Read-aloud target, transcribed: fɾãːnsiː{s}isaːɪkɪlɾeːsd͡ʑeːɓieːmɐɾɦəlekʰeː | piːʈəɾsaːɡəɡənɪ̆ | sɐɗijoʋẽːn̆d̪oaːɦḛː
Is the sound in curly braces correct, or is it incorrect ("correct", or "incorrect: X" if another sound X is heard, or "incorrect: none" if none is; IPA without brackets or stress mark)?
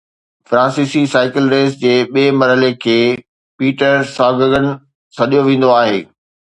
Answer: correct